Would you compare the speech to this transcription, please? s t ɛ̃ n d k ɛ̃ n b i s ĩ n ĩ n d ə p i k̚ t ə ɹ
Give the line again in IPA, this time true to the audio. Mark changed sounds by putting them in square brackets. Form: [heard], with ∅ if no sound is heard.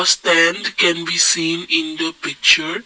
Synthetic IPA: s t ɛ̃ n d k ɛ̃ n b i s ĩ n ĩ n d ə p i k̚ [t͡ʃ] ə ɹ

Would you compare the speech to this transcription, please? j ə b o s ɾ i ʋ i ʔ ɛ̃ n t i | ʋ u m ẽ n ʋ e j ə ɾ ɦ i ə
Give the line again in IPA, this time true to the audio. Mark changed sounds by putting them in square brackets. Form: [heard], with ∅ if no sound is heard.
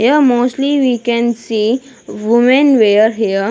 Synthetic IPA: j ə [m] o s [l] i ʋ i [k] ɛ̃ n [s] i | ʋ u m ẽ n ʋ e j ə ɾ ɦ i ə

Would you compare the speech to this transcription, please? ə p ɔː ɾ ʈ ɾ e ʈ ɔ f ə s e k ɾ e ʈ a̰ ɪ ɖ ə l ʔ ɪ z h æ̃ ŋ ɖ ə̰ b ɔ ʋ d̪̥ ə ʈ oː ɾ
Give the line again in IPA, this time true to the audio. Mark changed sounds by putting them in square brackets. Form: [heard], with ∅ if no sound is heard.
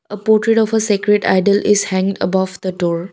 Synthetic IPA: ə p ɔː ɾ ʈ ɾ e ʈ ɔ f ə s e k ɾ e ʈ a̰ ɪ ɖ ə l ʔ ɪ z h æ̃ ŋ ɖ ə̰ b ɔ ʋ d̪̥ ə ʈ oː ɾ

